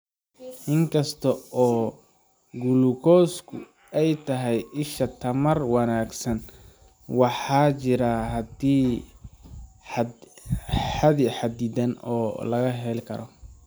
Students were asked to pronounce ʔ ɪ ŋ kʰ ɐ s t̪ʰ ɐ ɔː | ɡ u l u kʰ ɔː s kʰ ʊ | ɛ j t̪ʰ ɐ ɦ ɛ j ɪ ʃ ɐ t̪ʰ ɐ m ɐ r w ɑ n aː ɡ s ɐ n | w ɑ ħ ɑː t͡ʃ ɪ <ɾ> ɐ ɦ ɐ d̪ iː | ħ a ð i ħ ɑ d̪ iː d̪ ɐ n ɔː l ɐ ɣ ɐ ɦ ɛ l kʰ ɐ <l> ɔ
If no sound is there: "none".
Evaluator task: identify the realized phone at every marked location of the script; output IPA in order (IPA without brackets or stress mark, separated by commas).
ɾ, ɾ